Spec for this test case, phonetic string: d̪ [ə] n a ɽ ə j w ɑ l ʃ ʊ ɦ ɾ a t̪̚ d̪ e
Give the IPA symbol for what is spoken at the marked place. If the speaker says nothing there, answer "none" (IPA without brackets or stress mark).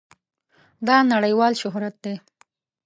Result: ɑ